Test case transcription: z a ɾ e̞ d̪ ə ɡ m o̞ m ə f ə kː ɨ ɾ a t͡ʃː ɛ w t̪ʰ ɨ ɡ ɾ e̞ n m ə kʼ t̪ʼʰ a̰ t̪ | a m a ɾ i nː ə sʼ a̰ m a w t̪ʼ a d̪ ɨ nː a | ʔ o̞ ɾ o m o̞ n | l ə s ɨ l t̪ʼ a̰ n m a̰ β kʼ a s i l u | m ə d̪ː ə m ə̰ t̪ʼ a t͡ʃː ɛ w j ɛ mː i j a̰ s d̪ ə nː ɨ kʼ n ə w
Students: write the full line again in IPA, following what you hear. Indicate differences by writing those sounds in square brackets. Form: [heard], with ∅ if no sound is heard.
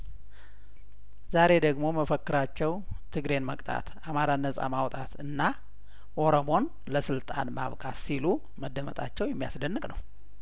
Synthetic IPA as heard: z a ɾ e̞ d̪ ə ɡ m o̞ m ə f ə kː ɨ ɾ a t͡ʃː ɛ w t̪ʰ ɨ ɡ ɾ e̞ n m ə kʼ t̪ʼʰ a̰ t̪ | a m a ɾ [a] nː ə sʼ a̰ m a w t̪ʼ a [t̪] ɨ nː a | ʔ o̞ ɾ o m o̞ n | l ə s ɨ l t̪ʼ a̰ n m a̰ β kʼ a s i l u | m ə d̪ː ə m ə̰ t̪ʼ a t͡ʃː ɛ w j ɛ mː i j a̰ s d̪ ə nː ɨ kʼ n ə w